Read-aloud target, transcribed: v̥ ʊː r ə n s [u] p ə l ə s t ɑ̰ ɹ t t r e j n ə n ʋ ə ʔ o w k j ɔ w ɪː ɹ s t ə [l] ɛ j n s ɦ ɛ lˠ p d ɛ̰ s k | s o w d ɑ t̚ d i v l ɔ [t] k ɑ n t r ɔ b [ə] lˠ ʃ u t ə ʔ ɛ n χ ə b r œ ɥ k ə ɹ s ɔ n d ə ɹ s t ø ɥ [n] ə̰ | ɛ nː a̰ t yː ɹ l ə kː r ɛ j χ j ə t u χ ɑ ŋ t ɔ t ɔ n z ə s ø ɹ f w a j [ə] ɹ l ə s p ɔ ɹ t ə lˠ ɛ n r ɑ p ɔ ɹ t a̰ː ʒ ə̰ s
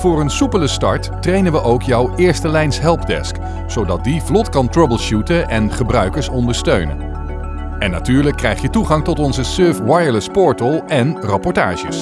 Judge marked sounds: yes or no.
yes, yes, yes, yes, yes, yes

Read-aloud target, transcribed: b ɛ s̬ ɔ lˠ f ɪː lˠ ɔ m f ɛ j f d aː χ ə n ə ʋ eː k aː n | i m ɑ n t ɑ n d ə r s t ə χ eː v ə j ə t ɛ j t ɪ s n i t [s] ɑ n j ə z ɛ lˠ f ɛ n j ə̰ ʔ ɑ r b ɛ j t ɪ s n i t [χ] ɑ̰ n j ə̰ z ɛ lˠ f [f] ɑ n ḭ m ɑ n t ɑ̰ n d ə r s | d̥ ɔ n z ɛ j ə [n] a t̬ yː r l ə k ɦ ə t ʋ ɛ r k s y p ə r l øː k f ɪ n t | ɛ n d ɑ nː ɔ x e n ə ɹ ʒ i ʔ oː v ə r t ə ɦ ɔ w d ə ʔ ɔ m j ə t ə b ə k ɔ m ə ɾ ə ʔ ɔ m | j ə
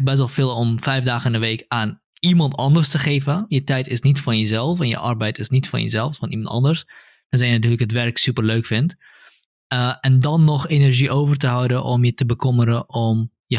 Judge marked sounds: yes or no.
no, no, yes, yes

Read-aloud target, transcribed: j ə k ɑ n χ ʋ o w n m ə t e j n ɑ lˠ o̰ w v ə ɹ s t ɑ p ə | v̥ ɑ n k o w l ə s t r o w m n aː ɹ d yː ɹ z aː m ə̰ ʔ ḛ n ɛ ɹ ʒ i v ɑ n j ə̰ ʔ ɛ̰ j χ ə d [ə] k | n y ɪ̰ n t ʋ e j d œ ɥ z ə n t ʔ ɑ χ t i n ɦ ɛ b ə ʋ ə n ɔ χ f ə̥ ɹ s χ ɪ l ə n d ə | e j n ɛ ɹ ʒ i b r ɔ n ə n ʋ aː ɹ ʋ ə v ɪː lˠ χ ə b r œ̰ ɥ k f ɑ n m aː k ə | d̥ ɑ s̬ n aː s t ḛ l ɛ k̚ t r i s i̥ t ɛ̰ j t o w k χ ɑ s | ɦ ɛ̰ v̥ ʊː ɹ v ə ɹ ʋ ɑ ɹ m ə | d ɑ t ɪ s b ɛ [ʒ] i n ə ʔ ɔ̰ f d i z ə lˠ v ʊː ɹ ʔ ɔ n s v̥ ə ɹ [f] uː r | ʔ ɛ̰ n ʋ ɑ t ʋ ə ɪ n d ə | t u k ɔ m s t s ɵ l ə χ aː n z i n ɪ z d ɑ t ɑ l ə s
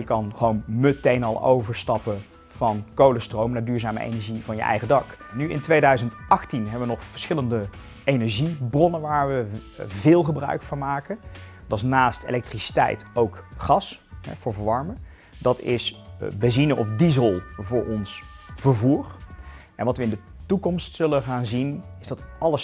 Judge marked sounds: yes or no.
no, no, no

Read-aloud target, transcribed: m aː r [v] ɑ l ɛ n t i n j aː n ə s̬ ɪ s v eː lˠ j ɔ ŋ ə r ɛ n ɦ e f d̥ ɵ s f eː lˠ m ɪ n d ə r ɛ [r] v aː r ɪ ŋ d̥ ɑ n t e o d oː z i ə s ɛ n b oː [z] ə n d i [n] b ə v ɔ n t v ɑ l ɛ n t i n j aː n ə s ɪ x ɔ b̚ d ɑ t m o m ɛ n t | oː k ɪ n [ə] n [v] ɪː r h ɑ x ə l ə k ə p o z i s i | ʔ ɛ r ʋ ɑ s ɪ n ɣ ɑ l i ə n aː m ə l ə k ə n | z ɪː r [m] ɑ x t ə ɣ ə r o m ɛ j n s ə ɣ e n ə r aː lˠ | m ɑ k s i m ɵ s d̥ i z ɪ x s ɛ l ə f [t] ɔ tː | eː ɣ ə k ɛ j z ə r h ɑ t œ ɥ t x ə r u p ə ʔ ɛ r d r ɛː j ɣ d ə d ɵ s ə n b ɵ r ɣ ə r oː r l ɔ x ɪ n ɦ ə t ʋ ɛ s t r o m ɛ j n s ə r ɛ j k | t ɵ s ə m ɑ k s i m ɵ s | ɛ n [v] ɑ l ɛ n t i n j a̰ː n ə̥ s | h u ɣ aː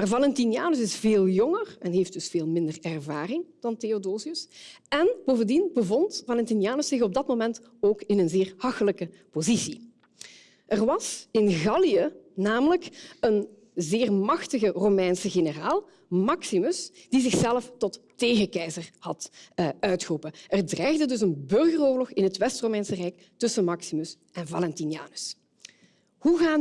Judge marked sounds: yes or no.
yes, yes, no, yes, yes, no, yes, yes, yes

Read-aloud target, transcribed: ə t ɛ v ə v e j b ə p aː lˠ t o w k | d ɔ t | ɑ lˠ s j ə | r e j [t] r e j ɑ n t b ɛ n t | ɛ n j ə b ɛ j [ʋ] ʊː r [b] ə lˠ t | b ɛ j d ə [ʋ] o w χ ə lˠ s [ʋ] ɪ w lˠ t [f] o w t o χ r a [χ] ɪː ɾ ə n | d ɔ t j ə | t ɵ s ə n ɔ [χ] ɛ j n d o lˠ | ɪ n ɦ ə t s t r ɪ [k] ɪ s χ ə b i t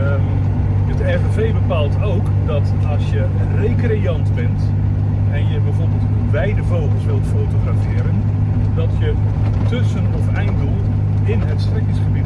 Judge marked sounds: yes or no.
no, no, yes, no, yes, yes, no, no, yes

